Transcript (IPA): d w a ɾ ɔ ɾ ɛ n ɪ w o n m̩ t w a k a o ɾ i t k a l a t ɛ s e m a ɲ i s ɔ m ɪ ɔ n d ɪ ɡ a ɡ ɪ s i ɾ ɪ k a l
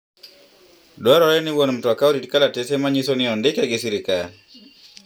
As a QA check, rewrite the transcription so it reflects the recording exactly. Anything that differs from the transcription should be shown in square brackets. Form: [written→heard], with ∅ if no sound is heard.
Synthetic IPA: d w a ɾ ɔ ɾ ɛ n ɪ w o n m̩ t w a k a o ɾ i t k a l a t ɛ s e m a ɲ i s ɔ [m→n] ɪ ɔ n d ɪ [ɡ→k] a ɡ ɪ s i ɾ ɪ k a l